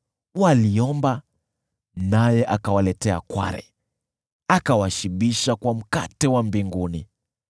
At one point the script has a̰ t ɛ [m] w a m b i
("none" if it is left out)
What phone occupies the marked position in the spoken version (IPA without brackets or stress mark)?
none